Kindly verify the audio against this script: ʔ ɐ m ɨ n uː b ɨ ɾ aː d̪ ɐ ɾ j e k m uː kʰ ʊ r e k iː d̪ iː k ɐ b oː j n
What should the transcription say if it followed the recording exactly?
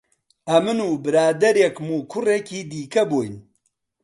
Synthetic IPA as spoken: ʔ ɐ m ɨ n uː b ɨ ɾ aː d̪ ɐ ɾ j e k m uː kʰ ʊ r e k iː d̪ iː k ɐ b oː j n